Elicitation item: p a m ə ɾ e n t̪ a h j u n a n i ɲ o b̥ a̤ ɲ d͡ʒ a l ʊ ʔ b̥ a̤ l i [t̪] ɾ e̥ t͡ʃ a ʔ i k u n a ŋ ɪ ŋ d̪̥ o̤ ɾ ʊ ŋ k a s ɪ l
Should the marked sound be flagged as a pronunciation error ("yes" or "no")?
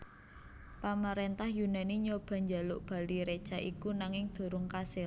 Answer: yes